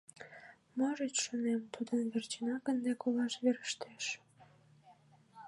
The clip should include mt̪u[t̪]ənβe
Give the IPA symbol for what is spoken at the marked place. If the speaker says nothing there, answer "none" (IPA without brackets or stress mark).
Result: d̪